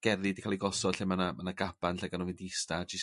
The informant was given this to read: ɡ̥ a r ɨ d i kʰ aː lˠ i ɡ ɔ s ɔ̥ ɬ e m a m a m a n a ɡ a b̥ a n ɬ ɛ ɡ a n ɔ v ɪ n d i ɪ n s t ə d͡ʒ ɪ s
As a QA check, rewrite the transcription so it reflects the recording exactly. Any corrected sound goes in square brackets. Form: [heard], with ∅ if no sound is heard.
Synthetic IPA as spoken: ɡ̥ [ɛ] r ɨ d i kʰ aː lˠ i ɡ ɔ s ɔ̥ ɬ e m a [n] a m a n a ɡ a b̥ a n ɬ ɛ ɡ a n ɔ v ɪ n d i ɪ [∅] s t [a] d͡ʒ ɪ s